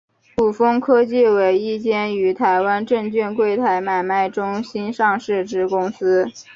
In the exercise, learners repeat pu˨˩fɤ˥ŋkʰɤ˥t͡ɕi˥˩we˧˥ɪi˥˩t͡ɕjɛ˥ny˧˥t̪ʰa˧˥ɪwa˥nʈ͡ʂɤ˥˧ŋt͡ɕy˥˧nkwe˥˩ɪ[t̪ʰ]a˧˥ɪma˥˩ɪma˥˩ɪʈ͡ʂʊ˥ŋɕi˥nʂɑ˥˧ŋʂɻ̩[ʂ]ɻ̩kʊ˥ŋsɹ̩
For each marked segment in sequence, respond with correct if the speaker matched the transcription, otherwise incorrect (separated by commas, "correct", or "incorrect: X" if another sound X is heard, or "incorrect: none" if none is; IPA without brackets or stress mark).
correct, incorrect: ʈ͡ʂ